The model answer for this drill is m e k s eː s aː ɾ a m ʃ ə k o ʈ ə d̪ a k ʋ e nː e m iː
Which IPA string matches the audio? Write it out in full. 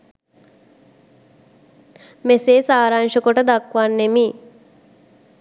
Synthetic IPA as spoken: m e s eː s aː ɾ a ŋ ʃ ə k o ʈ ə d̪ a k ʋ a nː e m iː